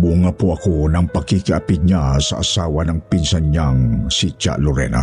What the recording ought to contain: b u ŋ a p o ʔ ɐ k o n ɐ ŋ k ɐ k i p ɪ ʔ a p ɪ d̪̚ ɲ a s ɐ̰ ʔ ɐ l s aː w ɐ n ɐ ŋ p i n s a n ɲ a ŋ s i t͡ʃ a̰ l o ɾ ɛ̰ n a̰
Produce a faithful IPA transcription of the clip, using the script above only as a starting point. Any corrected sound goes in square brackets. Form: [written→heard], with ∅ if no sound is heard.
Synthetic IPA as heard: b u ŋ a p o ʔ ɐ k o n ɐ ŋ [k→p] ɐ k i [p→k] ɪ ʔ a p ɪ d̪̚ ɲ a s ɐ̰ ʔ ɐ [l→∅] s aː w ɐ n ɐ ŋ p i n s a n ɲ a ŋ s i t͡ʃ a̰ l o ɾ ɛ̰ n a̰